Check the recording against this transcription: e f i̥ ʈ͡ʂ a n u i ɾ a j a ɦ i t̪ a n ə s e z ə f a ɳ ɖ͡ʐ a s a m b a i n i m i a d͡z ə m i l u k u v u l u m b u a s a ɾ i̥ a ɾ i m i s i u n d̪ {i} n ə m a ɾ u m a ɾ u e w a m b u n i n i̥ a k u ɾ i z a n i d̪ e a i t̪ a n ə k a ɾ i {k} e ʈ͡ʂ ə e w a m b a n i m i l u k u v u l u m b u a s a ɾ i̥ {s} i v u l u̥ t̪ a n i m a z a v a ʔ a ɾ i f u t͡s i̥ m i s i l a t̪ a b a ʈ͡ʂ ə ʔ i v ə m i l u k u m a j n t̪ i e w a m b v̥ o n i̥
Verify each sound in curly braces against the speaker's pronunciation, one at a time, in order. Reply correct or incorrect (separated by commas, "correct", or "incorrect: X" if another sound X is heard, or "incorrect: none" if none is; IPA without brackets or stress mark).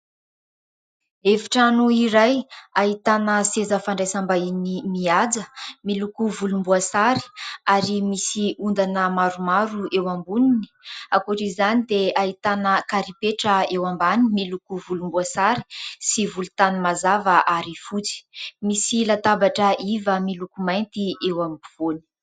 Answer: incorrect: a, incorrect: p, correct